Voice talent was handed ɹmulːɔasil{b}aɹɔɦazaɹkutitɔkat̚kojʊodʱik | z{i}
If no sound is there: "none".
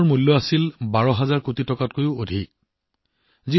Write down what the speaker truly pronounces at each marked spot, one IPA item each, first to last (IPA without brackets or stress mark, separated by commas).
b, i